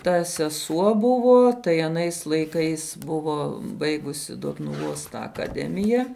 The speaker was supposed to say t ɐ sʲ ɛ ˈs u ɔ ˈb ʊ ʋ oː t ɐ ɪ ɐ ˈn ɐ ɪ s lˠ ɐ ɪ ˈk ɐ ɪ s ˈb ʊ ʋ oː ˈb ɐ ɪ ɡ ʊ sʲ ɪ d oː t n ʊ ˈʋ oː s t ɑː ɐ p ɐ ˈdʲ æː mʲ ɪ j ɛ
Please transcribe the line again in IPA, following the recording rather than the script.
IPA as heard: t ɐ sʲ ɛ ˈs u ɔ ˈb ʊ ʋ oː t ɐ ɪ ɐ ˈn ɐ ɪ s lˠ ɐ ɪ ˈk ɐ ɪ s ˈb ʊ ʋ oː ˈb ɐ ɪ ɡ ʊ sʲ ɪ d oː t n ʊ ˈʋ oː s t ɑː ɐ k ɐ ˈdʲ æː mʲ ɪ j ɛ